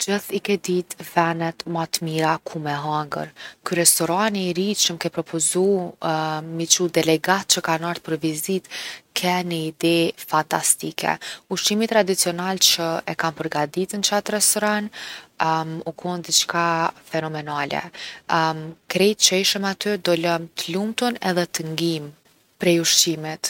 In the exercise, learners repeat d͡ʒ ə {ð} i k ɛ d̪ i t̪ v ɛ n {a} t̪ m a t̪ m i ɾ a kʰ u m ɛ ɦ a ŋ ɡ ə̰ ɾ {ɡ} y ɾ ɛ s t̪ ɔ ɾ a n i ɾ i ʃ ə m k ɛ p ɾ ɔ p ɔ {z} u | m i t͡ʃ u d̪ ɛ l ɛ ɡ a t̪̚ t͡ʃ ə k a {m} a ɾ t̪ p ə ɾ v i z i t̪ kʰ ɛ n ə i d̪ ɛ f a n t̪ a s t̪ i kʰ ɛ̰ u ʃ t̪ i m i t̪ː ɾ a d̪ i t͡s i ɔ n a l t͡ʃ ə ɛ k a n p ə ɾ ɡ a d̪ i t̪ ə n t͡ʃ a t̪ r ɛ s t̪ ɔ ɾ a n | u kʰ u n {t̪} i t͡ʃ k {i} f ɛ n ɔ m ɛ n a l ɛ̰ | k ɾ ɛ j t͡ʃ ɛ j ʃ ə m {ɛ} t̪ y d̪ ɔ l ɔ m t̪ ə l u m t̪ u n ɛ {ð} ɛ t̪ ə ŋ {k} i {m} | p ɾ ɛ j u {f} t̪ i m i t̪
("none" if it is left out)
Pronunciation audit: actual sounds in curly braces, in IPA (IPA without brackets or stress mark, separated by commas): θ, ɛ, k, z, n, d̪, a, a, ð, ɡ, m, ʃ